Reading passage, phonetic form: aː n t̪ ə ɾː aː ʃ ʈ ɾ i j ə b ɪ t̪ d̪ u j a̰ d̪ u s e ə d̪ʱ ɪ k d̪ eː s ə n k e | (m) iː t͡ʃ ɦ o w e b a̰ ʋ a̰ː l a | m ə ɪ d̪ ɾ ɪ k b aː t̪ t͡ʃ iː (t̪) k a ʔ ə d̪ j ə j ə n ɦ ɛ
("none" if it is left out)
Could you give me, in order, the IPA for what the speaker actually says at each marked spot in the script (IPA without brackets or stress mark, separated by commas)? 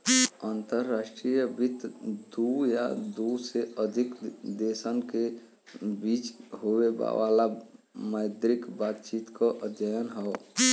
b, t̪